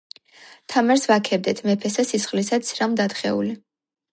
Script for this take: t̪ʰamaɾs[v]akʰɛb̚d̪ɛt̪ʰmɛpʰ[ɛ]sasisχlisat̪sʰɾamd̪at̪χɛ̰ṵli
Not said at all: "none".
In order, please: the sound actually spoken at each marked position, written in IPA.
v, ɛ

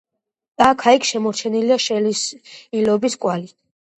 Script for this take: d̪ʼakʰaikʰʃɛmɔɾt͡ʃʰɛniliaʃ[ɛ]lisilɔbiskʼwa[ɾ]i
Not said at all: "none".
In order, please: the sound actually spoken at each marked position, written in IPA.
ɛ, l

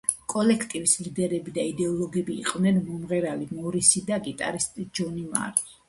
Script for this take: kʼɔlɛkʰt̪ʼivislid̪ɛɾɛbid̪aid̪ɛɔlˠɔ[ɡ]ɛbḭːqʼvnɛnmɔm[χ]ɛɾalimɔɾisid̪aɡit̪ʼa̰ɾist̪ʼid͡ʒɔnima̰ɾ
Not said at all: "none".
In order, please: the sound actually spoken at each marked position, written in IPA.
ɡ, ʁ

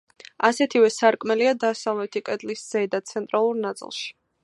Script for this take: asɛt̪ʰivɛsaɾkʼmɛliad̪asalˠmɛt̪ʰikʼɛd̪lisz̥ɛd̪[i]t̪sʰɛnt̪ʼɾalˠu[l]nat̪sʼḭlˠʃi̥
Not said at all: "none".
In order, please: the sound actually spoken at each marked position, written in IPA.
a, ɾ

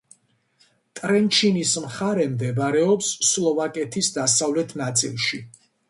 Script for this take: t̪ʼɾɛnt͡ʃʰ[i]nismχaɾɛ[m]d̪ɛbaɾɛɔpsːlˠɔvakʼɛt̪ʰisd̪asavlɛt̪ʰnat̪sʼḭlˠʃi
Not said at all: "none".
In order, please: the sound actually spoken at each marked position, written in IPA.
i, m

